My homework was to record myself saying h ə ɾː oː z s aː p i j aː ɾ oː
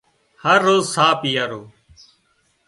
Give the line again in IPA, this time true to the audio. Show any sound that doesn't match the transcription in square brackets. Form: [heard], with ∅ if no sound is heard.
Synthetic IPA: h ə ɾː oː z s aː p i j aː ɾ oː